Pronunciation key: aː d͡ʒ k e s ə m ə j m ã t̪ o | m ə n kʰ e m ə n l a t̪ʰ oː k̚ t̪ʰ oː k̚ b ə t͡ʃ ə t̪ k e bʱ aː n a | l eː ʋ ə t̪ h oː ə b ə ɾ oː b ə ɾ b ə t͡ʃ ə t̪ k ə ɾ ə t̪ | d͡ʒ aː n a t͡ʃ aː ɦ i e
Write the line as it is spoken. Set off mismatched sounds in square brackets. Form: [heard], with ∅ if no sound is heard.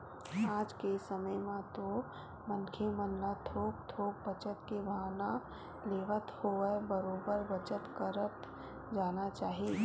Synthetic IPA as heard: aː d͡ʒ k e s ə m ə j m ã t̪ o | m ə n kʰ e m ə n l a t̪ʰ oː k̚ t̪ʰ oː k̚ b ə t͡ʃ ə t̪ k e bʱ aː n a | l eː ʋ ə t̪ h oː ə b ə ɾ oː b ə ɾ b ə t͡ʃ ə t̪ k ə ɾ ə t̪ | d͡ʒ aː n a t͡ʃ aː ɦ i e